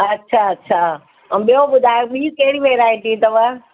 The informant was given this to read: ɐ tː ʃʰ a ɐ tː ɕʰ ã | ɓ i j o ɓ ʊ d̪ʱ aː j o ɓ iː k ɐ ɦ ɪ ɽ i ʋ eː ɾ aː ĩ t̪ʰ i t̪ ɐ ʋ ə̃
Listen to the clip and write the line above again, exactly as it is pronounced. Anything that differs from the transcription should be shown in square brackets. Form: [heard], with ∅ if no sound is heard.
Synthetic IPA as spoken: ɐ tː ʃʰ a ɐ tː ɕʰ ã | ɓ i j o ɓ ʊ d̪ʱ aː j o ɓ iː k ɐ ɦ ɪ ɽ i ʋ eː ɾ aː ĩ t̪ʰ i t̪ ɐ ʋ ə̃